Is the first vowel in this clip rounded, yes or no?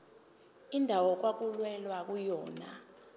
no